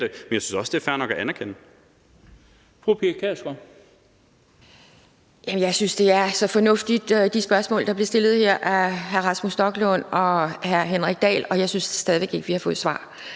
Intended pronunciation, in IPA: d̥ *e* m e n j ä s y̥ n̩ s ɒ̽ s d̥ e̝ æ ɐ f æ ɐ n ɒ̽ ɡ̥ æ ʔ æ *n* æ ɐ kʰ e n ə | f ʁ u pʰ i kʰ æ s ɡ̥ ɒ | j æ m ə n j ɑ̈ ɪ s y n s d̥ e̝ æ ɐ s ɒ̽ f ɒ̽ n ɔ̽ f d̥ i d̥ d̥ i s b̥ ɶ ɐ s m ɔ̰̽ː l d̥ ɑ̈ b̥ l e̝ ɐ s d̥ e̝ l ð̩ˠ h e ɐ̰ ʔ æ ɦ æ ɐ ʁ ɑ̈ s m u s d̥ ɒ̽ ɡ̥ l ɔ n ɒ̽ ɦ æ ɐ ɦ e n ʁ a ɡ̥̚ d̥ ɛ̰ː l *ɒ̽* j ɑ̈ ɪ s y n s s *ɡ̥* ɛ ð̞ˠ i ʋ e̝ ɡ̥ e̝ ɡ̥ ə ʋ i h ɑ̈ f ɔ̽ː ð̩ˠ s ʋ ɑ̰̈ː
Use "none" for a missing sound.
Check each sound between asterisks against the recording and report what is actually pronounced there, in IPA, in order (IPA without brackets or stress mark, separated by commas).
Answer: e, n, ɒ̽, d̥